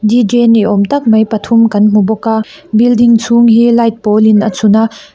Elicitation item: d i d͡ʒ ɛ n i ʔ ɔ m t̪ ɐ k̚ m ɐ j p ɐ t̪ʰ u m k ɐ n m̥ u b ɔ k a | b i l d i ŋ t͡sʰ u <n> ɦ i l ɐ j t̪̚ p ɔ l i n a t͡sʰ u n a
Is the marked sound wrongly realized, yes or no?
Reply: yes